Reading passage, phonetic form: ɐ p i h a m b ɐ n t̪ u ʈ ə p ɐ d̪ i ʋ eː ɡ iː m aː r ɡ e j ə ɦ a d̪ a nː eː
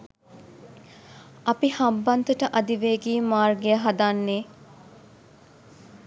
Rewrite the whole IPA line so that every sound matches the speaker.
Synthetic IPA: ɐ p i h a m b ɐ n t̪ u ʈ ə ʔ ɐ d̪ i ʋ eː ɡ iː m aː r ɡ e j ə ɦ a d̪ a nː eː